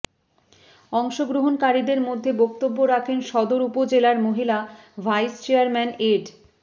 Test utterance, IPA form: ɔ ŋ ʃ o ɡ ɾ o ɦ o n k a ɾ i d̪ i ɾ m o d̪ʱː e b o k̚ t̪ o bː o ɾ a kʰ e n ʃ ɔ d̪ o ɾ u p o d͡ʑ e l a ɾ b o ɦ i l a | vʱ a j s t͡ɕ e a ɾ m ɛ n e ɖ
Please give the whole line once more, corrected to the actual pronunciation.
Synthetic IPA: ɔ ŋ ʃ o ɡ ɾ o ɦ o n k a ɾ i d̪ e ɾ m o d̪ʱː e b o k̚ t̪ o bː o ɾ a kʰ e n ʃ ɔ d̪ o ɾ u p o d͡ʑ e l a ɾ m o ɦ i l a | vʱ a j s t͡ɕ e a ɾ m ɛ n e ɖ